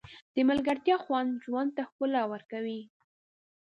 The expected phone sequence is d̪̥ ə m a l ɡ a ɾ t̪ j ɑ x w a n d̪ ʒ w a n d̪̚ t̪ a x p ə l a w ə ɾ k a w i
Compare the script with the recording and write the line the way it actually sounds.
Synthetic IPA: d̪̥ ə m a l ɡ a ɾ t̪ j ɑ x w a n d̪ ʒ w a n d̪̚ t̪ a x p ə l a w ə ɾ k a w i